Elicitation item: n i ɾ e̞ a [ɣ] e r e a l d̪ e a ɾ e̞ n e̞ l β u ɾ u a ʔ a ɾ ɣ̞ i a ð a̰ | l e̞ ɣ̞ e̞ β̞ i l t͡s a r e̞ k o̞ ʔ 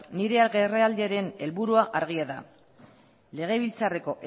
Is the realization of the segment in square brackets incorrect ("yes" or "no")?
no